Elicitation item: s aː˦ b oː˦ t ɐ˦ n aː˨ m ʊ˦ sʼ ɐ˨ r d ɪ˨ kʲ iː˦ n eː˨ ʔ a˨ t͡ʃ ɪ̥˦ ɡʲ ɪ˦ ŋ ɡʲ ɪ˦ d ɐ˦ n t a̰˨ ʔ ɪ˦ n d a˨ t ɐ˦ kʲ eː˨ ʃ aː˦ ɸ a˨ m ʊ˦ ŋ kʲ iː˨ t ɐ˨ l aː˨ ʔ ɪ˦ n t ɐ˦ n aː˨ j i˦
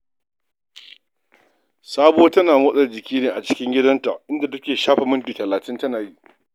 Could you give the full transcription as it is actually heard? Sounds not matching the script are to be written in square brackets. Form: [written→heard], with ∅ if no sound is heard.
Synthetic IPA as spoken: s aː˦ b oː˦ t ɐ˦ n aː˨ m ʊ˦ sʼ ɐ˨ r [d→d͡ʒ] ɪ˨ kʲ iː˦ n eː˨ ʔ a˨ t͡ʃ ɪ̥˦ [ɡʲ→kʲ] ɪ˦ ŋ ɡʲ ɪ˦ d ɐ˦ n t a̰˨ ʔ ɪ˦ n d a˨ t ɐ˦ kʲ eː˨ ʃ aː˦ ɸ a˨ m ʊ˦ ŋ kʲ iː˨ t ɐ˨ l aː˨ [ʔ→t] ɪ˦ n t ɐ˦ n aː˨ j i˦